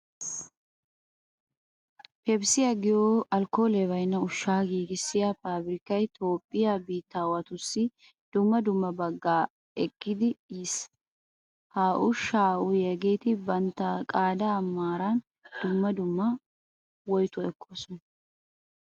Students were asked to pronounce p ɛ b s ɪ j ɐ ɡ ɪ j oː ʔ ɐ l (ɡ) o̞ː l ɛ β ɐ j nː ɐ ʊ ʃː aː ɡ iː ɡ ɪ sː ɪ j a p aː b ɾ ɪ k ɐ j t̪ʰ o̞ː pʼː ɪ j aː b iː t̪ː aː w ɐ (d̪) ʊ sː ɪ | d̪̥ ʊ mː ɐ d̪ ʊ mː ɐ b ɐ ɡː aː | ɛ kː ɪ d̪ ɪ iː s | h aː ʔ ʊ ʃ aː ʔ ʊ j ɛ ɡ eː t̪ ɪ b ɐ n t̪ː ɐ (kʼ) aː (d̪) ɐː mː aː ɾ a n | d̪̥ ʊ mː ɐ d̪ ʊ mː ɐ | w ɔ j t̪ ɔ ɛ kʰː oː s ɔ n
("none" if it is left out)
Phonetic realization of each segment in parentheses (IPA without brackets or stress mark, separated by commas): k, t̪, kʼ, d̪